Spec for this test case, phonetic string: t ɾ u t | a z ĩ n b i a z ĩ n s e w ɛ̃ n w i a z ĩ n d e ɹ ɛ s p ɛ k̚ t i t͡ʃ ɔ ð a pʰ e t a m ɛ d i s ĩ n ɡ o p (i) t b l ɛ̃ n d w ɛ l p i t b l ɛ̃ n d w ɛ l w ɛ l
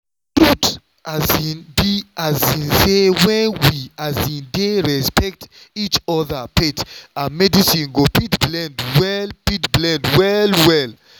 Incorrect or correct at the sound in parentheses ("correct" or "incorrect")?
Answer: correct